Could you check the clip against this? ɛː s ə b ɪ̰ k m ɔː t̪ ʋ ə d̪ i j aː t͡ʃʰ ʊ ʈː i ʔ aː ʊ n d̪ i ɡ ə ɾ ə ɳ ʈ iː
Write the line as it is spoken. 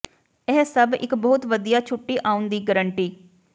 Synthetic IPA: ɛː s ə b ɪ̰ k b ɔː t̪ ʋ ə d̪ i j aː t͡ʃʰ ʊ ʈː iː ʔ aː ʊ n d̪ iː ɡ ə ɾ ə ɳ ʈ iː